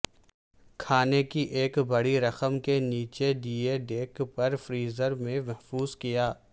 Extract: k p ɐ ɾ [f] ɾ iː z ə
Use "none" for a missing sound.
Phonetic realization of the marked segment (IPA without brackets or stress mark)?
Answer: f